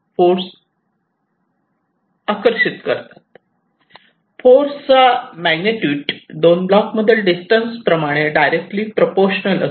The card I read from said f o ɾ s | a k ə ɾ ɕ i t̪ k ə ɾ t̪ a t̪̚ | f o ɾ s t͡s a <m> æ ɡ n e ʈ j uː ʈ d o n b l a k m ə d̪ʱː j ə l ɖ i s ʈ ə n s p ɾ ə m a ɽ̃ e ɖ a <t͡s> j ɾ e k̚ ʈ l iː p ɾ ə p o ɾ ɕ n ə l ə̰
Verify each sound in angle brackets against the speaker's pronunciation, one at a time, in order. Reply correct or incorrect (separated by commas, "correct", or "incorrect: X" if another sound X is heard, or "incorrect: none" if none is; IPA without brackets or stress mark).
correct, incorrect: none